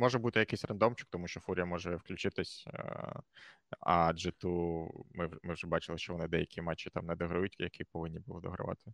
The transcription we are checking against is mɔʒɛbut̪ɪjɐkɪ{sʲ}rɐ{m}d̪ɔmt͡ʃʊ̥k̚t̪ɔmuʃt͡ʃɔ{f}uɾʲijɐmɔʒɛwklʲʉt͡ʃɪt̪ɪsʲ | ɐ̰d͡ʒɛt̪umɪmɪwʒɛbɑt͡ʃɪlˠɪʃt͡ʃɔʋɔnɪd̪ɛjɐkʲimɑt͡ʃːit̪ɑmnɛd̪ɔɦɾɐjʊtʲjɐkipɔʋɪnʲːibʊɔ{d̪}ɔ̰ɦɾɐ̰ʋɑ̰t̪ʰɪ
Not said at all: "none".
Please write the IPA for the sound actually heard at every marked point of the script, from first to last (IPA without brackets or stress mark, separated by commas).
sʲ, n, f, d̪